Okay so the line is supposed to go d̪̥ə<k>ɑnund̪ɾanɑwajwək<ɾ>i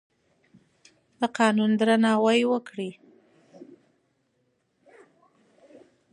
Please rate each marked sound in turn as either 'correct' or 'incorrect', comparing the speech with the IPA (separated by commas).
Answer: incorrect, incorrect